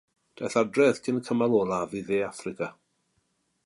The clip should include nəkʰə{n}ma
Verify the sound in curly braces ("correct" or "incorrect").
incorrect